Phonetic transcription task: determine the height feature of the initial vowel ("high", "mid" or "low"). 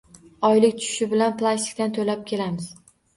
low